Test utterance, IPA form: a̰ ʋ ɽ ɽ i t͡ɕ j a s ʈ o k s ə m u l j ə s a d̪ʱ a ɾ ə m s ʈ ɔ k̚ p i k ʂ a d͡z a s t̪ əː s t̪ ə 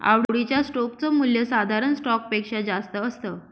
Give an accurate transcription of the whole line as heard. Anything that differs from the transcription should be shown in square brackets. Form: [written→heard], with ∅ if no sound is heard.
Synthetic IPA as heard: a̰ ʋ ɽ ɽ i t͡ɕ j a s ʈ o k [s→t͡s] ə m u l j ə s a d̪ʱ a ɾ ə [m→n] s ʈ ɔ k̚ p [i→e] k ʂ a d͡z a s t̪ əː s t̪ ə

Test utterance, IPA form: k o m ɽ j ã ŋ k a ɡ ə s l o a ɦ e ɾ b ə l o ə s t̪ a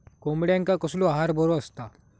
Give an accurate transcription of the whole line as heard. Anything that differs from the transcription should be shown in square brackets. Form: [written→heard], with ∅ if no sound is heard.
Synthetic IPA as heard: k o m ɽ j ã ŋ k a [ɡ→k] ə s l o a ɦ [e→a] ɾ b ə [l→ɾ] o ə s t̪ a

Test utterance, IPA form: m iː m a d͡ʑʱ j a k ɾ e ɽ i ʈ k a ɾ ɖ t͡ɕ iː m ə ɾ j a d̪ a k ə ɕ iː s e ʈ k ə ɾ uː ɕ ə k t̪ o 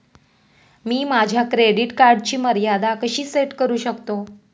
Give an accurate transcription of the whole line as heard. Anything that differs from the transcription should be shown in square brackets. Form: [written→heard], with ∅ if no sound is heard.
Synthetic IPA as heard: m iː m a d͡ʑʱ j a k ɾ e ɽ i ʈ k a ɾ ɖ t͡ɕ iː m ə ɾ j a d̪ a k ə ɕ iː s e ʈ k ə ɾ uː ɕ ə k t̪ o

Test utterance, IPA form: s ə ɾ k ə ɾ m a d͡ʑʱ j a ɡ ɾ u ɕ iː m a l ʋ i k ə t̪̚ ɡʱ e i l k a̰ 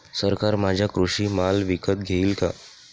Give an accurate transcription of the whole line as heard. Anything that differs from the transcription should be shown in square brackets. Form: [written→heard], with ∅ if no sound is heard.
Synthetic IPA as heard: s ə ɾ k [ə→a] ɾ m a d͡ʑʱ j a [ɡ→k] ɾ u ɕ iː m a l ʋ i k ə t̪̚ ɡʱ e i l k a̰

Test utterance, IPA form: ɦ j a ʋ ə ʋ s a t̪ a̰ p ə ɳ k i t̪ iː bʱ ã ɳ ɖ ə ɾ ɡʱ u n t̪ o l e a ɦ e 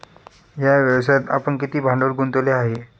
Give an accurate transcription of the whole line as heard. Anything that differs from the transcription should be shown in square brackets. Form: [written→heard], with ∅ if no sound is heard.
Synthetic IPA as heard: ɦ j a ʋ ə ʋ s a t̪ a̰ p ə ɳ k i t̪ iː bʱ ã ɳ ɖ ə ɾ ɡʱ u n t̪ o l e a ɦ e

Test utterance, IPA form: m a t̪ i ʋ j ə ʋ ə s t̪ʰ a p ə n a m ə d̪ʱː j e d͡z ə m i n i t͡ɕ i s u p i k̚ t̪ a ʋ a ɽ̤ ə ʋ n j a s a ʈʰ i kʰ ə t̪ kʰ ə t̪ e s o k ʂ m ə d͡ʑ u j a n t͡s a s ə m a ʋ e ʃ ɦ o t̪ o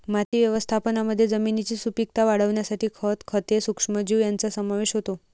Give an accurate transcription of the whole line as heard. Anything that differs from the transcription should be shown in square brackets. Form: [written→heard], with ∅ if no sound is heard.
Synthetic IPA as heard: m a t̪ i ʋ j ə ʋ ə s t̪ʰ a p ə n a m ə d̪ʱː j e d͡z ə m i n i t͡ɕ i s u p i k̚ t̪ a ʋ a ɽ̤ ə ʋ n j a s a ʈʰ i kʰ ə t̪ kʰ ə t̪ e s [o→u] k ʂ m ə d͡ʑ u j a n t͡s a s ə m a ʋ e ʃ ɦ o t̪ o

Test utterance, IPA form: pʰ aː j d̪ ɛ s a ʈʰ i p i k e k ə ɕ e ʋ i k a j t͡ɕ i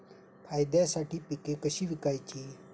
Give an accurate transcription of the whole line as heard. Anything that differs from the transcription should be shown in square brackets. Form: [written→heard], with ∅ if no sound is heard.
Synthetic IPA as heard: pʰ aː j d̪ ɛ s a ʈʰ i p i k e k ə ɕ [e→i] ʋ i k a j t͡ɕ i

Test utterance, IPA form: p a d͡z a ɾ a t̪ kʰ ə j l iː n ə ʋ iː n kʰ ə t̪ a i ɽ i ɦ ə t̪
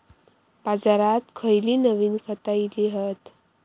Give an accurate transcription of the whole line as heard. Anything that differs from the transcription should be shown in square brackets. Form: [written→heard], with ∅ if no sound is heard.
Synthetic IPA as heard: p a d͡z a ɾ a t̪ kʰ ə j l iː n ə ʋ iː n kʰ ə t̪ a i [ɽ→l] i ɦ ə t̪

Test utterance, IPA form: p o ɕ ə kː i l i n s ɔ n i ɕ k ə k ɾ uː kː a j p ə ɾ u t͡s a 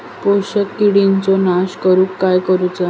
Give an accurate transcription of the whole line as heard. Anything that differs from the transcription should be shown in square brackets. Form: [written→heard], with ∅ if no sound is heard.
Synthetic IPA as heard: p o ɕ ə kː i [l→ɽ] i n [s→t͡s] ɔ n [i→a] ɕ k ə [k→∅] ɾ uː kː a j [p→k] ə ɾ u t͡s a

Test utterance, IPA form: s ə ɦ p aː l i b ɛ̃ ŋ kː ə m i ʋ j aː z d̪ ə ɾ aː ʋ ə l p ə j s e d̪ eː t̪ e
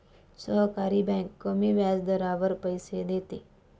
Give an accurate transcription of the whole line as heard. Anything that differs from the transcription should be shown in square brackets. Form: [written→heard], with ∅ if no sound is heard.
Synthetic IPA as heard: s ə ɦ [p→k] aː [l→ɾ] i b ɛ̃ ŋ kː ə m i ʋ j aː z d̪ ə ɾ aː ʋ ə [l→ɾ] p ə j s e d̪ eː t̪ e

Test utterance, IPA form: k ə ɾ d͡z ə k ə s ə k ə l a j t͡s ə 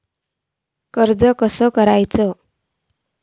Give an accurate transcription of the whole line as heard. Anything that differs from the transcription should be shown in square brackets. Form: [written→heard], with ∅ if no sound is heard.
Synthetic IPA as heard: k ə ɾ d͡z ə k ə s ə k ə [l→ɾ] a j t͡s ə

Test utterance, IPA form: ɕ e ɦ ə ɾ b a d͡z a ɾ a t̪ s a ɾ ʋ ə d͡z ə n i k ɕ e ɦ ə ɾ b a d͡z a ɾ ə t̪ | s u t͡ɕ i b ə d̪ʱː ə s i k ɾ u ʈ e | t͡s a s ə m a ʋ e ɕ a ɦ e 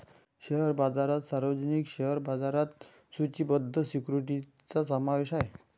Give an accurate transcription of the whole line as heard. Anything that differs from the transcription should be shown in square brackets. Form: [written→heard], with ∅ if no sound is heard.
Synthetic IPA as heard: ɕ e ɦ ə ɾ b a d͡z a ɾ a t̪ s a ɾ ʋ ə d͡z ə n i k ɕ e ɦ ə ɾ b a d͡z a ɾ [ə→a] t̪ | s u t͡ɕ i b ə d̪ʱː ə s i k ɾ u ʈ [e→i] | t͡s a s ə m a ʋ e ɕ a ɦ e

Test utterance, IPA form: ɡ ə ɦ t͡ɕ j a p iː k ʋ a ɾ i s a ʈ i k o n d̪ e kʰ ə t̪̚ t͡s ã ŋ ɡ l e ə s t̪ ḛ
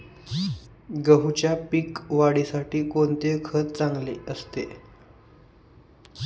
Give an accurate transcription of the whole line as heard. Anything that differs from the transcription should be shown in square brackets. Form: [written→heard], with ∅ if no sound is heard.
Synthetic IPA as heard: ɡ ə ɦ t͡ɕ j a p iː k ʋ a [ɾ→ɽ] i s a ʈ [i→iː] k o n [d̪→t̪] e kʰ ə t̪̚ t͡s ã ŋ ɡ l e ə s t̪ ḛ

